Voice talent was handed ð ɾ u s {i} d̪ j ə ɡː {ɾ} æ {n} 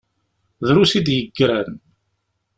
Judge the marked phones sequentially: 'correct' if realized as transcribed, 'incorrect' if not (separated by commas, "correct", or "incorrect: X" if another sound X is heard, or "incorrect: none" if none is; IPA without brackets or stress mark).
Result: correct, correct, correct